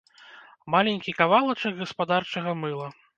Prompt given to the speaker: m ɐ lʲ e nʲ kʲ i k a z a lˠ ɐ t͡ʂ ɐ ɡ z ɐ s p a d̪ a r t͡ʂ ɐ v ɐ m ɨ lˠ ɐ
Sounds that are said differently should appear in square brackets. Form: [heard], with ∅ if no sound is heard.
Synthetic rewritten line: m [a] lʲ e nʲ kʲ i k a [v] a lˠ ɐ t͡ʂ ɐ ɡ [ɣ] ɐ s p a d̪ a r t͡ʂ ɐ [ɣ] ɐ m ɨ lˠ ɐ